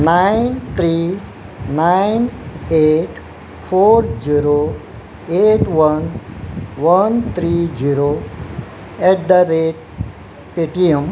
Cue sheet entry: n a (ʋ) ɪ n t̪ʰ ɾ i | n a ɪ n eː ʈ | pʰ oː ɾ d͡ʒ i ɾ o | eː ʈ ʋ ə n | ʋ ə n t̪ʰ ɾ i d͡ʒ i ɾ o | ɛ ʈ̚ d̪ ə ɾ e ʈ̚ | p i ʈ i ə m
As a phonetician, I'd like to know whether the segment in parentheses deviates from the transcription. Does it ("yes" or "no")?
yes